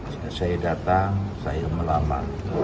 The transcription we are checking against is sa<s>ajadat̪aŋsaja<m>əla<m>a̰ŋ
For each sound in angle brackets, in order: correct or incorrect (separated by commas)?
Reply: correct, correct, correct